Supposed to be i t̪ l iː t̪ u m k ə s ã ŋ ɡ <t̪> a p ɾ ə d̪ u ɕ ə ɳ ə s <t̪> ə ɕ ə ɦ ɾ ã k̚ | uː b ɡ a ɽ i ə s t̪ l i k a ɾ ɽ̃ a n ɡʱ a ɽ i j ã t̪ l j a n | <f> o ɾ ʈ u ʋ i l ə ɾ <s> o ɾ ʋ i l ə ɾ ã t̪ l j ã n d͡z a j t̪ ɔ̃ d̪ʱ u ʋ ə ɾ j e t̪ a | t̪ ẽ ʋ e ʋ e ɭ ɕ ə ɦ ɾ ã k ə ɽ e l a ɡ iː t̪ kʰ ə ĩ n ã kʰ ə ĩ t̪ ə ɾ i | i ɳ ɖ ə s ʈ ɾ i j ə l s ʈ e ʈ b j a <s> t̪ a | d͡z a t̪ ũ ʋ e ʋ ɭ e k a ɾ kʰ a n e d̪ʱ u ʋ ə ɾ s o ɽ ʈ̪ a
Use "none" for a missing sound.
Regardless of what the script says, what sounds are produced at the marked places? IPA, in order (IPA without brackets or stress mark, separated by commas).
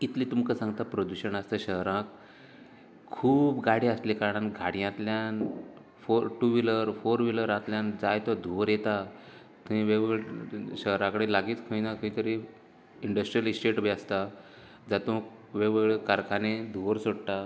t̪, t̪, f, f, s